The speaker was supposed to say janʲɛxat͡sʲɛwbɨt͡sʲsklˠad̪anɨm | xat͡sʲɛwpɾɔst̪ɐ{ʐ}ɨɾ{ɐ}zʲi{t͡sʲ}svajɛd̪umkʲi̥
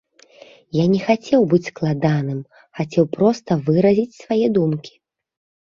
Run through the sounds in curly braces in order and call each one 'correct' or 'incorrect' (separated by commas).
incorrect, correct, correct